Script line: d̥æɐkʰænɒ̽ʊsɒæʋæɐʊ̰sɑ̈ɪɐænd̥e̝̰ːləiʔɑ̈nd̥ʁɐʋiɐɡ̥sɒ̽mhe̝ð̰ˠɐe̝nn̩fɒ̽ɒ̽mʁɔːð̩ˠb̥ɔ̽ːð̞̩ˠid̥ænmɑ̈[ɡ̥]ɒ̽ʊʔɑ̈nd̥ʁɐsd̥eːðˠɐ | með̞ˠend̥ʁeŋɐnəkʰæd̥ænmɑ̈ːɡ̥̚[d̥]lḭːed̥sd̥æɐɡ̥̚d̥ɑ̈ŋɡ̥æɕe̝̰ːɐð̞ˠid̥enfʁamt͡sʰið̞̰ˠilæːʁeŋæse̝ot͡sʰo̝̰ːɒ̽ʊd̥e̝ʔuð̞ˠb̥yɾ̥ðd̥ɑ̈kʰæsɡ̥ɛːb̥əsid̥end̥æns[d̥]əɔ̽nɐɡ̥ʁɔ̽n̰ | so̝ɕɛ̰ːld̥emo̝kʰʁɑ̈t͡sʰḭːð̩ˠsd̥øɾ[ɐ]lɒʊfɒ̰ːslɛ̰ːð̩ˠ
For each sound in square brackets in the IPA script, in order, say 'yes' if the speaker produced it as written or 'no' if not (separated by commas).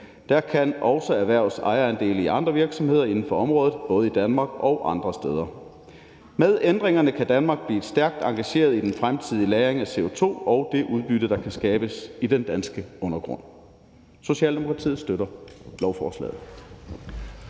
yes, no, no, yes